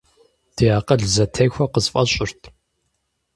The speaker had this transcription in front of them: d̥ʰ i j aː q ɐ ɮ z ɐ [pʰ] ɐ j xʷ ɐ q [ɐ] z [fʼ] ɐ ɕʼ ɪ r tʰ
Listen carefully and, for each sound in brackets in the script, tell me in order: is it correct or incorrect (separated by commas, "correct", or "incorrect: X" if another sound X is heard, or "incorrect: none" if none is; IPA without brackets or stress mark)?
incorrect: tʰ, incorrect: ə, correct